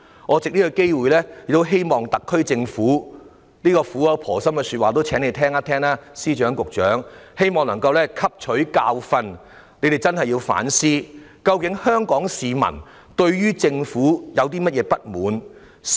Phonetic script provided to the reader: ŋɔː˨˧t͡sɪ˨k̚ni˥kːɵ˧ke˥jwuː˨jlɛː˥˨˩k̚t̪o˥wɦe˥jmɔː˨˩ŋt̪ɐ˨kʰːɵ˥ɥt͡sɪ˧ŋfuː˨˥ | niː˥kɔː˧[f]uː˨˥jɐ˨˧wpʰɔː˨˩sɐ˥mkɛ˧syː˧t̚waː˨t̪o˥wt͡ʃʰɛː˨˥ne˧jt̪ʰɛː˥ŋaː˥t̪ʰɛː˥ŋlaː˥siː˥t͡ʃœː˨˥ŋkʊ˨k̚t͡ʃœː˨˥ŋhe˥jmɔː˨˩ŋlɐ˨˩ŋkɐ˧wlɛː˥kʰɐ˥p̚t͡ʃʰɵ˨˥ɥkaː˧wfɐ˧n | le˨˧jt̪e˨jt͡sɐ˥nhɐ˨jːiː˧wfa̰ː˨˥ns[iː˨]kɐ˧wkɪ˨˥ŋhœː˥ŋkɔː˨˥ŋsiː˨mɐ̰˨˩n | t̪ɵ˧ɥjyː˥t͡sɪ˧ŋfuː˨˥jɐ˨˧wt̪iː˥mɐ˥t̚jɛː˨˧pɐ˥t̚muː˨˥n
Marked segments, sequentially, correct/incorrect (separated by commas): correct, incorrect